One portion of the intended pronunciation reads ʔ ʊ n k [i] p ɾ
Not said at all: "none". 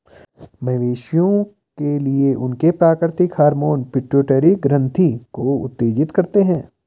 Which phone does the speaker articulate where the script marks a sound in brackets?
e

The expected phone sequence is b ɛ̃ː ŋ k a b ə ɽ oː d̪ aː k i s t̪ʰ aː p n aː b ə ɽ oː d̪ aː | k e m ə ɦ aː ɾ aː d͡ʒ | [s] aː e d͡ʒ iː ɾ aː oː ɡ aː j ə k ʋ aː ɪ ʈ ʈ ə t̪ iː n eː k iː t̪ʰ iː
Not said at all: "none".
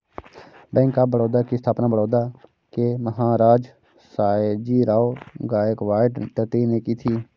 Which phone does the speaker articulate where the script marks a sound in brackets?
s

